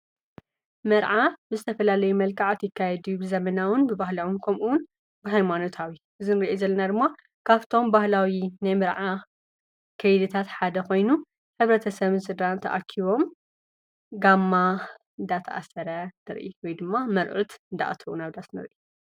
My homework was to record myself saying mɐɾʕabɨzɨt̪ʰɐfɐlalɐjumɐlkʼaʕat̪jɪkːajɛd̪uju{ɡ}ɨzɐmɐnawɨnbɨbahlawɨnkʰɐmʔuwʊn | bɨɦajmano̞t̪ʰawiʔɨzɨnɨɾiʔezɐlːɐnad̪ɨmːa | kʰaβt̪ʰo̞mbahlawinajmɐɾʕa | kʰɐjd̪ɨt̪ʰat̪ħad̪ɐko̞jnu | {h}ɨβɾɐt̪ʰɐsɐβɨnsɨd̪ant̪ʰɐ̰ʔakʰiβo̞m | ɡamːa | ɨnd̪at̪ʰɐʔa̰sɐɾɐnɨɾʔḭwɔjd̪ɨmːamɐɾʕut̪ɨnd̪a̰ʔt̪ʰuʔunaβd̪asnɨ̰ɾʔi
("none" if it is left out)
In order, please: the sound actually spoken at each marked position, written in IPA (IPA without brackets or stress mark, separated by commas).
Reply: b, ħ